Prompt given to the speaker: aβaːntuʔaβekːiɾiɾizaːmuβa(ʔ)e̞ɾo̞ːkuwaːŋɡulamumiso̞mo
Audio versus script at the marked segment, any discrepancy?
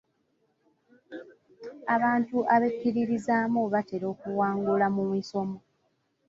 yes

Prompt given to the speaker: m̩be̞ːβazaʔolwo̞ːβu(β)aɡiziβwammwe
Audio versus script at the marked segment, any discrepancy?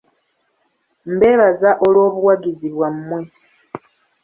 yes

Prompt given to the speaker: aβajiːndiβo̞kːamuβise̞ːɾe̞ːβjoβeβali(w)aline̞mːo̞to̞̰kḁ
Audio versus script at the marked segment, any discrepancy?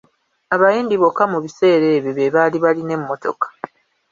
yes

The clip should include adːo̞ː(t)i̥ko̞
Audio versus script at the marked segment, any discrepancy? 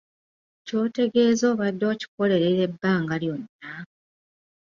yes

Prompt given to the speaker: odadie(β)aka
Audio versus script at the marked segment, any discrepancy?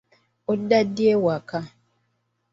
yes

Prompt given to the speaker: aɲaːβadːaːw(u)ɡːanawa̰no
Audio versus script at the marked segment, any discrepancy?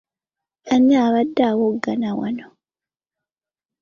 yes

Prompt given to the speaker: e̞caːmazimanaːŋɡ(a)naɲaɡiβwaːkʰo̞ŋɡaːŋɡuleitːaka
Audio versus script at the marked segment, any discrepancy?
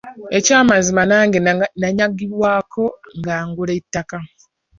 yes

